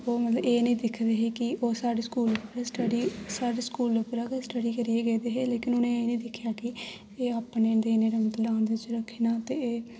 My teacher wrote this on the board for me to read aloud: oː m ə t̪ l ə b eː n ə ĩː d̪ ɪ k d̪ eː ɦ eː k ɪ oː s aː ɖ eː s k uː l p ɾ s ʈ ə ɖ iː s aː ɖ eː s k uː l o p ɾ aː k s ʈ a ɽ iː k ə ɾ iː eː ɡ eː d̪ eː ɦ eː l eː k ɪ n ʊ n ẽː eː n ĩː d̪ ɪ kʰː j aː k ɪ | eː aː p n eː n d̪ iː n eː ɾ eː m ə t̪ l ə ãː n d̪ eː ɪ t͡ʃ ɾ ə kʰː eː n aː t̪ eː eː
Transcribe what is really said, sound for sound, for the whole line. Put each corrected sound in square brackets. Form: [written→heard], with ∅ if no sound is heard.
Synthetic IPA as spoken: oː m ə t̪ l ə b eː n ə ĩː d̪ ɪ [k→kʰ] d̪ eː ɦ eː k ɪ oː s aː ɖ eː s k uː l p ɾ s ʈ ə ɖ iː s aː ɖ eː s k uː l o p ɾ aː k s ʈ [a→ə] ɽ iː k ə ɾ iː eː ɡ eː d̪ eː ɦ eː l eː k ɪ n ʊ n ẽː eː n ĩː d̪ ɪ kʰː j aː k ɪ | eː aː p n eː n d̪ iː n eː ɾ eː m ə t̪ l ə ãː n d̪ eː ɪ t͡ʃ ɾ ə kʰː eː n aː t̪ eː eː